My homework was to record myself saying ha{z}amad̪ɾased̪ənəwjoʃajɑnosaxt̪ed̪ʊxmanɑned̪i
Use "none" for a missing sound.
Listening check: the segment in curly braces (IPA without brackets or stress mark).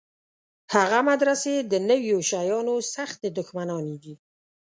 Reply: ɣ